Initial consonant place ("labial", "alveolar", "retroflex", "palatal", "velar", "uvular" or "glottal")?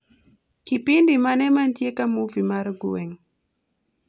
velar